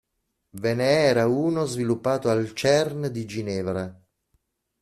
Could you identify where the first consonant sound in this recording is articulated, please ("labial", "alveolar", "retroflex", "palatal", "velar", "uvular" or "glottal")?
labial